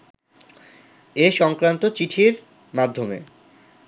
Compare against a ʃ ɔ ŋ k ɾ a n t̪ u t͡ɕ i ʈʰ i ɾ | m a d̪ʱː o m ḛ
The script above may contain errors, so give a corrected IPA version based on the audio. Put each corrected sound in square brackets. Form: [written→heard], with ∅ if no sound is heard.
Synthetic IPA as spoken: [a→e] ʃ ɔ ŋ k ɾ a n t̪ [u→o] t͡ɕ i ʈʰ i ɾ | m a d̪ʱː o m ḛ